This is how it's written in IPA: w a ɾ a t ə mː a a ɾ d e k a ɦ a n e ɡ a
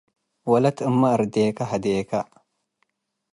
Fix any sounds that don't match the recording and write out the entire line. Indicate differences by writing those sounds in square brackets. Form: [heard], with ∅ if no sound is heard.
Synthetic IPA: w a [l] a t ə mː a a ɾ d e k a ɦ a [d] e [k] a